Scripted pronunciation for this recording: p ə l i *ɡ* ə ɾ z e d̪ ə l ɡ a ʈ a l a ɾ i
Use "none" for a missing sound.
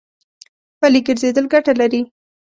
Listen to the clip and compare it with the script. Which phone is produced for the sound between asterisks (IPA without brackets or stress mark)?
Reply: ɡ